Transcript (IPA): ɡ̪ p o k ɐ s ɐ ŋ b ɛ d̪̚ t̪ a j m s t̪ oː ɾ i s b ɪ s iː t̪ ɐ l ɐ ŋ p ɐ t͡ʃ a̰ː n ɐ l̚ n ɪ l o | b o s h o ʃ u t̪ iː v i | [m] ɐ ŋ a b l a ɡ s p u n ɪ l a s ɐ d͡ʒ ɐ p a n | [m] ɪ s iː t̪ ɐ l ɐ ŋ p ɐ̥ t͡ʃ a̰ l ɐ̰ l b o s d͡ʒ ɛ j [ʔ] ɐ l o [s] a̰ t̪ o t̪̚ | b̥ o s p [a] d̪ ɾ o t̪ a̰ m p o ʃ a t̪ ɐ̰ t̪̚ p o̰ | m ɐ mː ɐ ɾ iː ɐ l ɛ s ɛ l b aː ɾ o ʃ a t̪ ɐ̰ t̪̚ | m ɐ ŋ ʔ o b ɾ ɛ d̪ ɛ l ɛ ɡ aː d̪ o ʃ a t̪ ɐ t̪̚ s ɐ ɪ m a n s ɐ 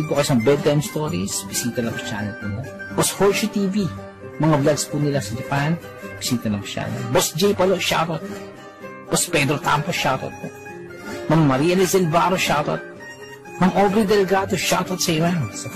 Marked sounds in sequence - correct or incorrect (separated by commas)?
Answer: correct, incorrect, incorrect, incorrect, incorrect